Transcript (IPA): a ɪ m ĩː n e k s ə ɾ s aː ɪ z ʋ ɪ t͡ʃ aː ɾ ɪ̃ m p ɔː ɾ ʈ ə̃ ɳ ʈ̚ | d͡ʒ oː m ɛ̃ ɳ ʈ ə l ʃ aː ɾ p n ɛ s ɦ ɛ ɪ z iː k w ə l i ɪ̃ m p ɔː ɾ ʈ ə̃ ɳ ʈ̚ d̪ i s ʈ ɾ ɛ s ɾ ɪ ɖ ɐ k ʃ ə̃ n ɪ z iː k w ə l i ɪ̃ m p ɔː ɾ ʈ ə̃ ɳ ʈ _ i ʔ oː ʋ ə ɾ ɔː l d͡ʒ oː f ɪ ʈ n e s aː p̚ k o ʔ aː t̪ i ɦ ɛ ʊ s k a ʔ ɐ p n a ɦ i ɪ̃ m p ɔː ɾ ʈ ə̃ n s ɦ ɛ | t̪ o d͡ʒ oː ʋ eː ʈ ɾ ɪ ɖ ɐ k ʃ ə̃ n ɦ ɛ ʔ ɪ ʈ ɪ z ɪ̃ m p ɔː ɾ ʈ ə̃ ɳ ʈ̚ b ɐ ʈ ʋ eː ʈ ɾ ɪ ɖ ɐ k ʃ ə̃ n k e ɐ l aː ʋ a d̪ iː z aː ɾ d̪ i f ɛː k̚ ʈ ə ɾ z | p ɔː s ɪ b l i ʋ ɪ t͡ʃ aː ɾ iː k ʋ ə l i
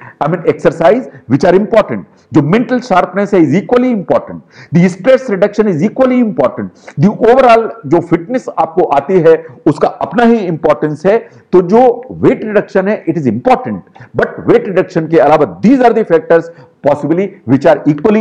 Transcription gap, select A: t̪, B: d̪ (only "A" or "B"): B